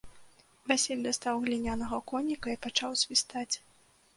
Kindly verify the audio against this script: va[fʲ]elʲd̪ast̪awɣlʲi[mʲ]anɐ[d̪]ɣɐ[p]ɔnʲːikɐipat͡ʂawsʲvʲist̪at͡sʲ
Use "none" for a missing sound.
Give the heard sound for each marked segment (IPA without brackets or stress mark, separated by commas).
sʲ, nʲ, none, k